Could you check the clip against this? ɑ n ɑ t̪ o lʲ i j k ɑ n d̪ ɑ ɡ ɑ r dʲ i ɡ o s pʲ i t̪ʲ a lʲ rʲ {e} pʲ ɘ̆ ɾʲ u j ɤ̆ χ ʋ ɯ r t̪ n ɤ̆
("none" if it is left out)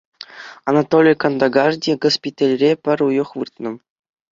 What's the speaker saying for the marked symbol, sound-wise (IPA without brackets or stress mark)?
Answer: e